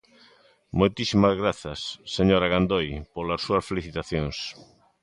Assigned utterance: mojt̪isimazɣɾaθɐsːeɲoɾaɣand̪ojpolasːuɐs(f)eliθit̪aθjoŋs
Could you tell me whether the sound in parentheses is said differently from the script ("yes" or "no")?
no